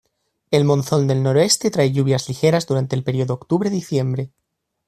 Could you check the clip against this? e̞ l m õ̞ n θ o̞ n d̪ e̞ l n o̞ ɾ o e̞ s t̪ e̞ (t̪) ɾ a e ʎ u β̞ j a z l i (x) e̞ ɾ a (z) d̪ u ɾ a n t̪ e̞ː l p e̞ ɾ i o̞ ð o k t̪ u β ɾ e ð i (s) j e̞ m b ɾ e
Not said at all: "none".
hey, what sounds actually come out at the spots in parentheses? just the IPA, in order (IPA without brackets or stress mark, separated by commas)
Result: t̪, x, z, θ